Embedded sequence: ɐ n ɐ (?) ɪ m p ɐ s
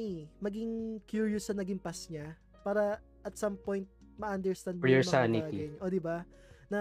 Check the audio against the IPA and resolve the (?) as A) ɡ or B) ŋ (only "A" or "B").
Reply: A